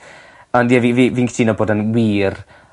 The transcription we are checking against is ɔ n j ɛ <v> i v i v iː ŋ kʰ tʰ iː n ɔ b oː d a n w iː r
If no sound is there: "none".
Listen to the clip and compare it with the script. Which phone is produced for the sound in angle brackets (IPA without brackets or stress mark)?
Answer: v